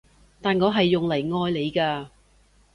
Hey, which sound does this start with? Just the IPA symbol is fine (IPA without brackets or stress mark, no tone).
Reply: t̪